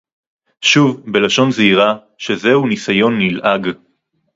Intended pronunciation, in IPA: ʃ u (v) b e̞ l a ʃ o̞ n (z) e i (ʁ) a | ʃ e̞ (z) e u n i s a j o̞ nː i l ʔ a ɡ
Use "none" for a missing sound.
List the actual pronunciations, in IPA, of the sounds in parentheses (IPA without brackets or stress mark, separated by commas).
v, z, ʁ, z